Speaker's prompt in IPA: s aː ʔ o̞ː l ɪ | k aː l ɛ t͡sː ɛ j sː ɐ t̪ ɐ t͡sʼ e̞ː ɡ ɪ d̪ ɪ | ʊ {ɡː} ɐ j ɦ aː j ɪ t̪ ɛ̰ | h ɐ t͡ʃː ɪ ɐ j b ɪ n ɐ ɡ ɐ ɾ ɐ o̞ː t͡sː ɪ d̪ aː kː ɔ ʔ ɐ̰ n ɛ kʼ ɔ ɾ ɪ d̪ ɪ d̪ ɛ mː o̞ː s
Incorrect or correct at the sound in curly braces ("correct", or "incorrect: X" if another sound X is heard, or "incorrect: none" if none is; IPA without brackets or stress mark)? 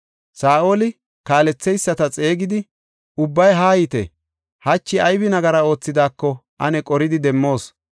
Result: incorrect: bː